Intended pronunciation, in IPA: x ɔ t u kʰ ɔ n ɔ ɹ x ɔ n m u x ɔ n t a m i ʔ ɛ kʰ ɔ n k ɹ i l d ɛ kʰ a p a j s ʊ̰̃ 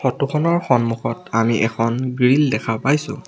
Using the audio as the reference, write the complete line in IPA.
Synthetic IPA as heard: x ɔ t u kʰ ɔ n ɔ ɹ x ɔ n m u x ɔ t a m i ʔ ɛ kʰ ɔ n ɡ ɹ i l d ɛ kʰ a p a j s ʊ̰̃